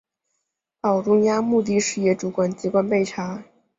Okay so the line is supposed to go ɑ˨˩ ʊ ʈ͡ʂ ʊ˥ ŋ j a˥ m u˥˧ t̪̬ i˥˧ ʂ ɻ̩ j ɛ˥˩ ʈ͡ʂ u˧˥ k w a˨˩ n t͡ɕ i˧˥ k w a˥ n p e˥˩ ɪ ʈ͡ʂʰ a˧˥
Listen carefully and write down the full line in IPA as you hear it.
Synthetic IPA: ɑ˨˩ ʊ ʈ͡ʂ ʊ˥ ŋ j a˥ m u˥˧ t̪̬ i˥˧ ʂ ɻ̩ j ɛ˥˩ ʈ͡ʂ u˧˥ k w a˨˩ n t͡ɕ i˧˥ k w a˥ n p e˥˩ ɪ ʈ͡ʂʰ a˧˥